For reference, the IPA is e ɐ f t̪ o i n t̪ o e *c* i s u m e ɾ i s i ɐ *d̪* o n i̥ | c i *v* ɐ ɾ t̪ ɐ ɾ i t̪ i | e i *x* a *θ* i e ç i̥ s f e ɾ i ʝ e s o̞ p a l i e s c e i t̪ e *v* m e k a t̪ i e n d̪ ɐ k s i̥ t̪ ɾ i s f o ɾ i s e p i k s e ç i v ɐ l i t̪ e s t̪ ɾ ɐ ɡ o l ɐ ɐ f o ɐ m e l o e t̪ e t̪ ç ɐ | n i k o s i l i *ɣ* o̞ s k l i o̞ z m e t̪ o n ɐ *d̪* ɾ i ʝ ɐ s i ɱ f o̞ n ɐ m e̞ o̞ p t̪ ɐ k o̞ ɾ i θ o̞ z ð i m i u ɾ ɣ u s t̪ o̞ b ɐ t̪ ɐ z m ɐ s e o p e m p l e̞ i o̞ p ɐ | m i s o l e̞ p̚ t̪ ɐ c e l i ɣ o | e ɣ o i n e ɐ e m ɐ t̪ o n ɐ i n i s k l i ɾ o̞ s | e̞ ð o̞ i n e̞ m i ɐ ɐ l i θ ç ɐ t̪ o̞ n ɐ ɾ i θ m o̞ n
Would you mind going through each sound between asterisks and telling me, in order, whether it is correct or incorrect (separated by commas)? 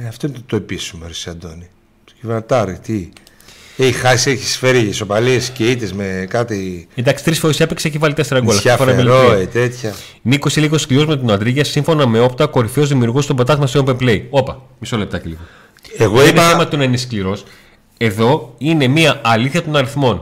incorrect, correct, correct, correct, incorrect, incorrect, correct, correct